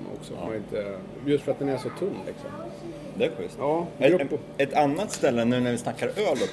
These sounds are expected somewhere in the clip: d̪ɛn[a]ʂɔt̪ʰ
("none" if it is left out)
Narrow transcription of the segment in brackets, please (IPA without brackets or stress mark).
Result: æ